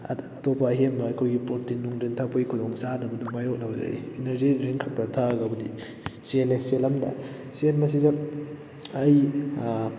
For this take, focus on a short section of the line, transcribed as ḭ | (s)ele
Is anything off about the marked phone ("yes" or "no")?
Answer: no